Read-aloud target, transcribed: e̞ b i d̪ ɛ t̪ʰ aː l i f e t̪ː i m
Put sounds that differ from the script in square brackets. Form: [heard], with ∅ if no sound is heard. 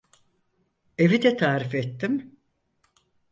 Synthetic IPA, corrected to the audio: e̞ [v] i d̪ ɛ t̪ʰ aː [ɾ] i f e t̪ː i m